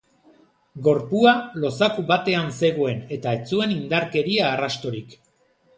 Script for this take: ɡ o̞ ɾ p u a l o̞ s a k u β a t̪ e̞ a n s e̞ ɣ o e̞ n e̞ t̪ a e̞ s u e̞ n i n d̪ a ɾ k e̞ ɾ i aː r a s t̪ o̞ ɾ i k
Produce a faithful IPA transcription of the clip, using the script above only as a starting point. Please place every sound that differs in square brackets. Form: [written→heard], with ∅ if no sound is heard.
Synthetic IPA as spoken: ɡ o̞ ɾ p u a l o̞ s a k u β a t̪ e̞ a n s e̞ ɣ o e̞ n e̞ t̪ a e̞ [s→t͡s] u e̞ n i n d̪ a ɾ k e̞ ɾ i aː r a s t̪ o̞ ɾ i k